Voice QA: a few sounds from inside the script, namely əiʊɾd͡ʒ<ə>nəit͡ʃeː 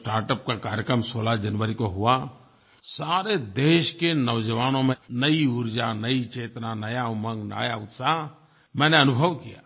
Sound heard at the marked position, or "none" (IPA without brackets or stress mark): a